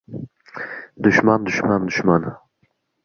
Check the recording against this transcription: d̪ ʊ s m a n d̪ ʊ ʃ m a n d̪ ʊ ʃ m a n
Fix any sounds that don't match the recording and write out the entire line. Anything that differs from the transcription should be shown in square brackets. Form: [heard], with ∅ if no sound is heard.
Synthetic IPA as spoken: d̪ ʊ [ʃ] m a n d̪ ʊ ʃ m a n d̪ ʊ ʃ m a n